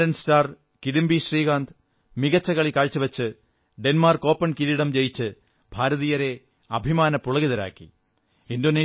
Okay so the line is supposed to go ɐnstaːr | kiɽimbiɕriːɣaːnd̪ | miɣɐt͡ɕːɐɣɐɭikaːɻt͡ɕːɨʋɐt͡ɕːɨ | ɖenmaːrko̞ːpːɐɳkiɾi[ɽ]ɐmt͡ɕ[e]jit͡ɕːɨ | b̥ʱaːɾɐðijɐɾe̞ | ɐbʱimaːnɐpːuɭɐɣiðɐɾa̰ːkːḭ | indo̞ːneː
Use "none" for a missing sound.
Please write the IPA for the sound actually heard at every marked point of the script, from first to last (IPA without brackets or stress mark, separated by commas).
ɽ, e